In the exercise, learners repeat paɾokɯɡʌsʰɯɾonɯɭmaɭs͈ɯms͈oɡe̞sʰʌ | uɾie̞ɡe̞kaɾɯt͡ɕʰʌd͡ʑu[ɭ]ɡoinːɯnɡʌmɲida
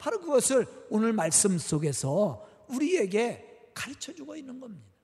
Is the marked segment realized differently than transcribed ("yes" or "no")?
yes